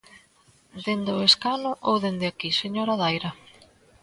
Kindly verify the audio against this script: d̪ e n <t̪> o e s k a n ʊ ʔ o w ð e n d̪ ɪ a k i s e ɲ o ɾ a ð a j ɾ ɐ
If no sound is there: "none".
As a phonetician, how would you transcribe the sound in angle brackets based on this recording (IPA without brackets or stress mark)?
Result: d̪